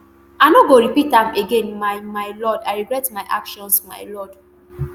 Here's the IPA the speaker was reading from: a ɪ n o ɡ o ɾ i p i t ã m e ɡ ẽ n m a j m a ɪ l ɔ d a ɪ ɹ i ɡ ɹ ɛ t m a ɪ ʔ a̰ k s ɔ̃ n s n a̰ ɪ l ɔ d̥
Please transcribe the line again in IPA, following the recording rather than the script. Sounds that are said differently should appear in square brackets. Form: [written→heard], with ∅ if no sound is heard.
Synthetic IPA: a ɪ n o ɡ o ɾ i p i t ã m e ɡ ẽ n m a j m a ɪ l ɔ d a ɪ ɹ i ɡ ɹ ɛ t m a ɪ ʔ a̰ k [s→ʃ] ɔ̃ n s [n→m] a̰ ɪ l ɔ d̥